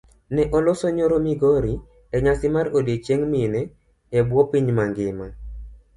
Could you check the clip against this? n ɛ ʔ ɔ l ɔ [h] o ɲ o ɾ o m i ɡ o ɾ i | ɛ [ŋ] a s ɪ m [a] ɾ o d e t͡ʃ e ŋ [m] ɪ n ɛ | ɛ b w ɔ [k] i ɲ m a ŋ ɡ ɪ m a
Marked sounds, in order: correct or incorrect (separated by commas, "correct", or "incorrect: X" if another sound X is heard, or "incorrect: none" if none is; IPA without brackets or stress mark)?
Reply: incorrect: s, incorrect: ɲ, correct, correct, incorrect: p